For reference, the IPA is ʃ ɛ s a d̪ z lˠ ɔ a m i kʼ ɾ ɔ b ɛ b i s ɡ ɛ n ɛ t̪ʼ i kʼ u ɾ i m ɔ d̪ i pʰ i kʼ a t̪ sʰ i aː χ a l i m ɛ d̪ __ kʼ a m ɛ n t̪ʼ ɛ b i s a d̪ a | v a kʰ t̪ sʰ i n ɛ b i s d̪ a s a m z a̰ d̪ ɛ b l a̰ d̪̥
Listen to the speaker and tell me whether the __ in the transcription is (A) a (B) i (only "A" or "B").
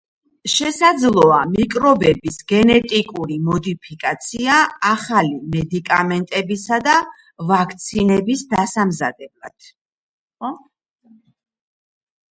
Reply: B